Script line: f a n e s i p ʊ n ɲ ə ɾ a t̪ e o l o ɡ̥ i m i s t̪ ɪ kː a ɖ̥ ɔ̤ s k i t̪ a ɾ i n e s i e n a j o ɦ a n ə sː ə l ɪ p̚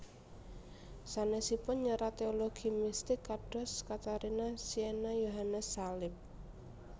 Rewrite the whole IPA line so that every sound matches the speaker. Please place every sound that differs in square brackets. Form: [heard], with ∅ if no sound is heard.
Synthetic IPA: [s] a n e s i p ʊ n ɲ ə ɾ a t̪ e o l o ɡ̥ i m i s t̪ ɪ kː a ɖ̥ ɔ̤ s k [a] t̪ a ɾ i n [a] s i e n a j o ɦ a n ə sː [a] l ɪ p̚